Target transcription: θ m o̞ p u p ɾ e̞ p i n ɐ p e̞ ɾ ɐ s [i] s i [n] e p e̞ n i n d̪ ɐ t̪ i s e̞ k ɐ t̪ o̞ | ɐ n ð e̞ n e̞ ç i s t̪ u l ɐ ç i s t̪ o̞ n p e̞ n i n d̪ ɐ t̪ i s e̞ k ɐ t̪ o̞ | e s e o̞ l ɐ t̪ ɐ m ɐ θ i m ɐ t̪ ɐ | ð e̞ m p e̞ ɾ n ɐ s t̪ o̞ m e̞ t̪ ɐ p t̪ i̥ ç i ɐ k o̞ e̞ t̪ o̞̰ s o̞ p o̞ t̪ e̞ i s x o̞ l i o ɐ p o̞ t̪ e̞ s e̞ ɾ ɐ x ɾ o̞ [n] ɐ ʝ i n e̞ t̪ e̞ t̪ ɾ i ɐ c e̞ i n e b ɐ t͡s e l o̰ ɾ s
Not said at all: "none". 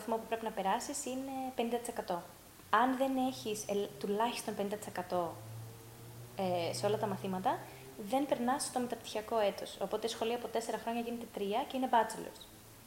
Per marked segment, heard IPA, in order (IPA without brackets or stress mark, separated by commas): i, n, ɲ